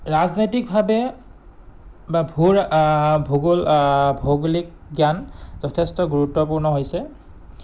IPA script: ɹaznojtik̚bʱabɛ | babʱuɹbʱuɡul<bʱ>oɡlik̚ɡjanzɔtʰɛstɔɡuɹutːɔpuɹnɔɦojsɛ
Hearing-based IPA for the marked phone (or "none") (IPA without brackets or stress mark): bʱ